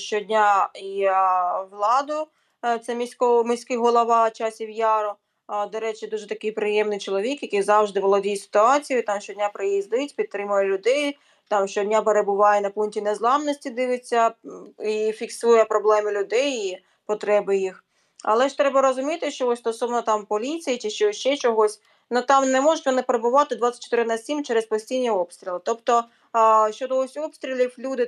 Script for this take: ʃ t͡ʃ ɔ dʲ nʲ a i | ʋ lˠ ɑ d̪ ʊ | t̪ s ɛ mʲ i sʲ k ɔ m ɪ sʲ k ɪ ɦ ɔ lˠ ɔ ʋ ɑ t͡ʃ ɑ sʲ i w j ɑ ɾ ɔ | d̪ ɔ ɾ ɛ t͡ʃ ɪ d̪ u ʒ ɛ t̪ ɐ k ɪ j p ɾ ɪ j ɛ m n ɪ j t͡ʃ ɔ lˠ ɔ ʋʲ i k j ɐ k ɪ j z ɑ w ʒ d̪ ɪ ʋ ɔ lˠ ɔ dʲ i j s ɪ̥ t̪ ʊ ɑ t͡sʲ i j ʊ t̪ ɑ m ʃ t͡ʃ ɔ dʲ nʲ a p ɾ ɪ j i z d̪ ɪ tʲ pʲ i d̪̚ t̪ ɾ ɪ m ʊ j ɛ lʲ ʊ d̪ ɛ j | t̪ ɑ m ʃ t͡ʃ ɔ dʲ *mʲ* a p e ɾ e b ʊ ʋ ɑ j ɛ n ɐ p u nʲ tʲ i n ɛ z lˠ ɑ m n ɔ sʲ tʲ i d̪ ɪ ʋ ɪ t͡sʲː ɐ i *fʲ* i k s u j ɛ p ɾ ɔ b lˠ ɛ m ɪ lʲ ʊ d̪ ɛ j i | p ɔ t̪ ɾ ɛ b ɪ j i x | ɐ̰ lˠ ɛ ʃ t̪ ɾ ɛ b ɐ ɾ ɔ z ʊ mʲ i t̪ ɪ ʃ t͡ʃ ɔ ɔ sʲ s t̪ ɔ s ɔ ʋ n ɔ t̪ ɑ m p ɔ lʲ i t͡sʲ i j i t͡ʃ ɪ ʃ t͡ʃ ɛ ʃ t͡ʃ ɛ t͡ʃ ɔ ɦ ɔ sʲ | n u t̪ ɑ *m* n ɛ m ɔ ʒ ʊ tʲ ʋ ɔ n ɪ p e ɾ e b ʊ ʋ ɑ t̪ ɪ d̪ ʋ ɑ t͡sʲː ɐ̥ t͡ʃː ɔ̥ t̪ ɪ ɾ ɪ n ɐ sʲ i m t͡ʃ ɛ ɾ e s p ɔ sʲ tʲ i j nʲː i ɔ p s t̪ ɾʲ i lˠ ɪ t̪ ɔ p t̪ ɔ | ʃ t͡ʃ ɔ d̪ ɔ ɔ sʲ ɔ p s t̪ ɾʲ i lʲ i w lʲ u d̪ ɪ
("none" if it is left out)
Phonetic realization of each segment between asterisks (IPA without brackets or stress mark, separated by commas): nʲ, fʲ, m